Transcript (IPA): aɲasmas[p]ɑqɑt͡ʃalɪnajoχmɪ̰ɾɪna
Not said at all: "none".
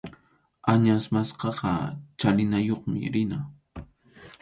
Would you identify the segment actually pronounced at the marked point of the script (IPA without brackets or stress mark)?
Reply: q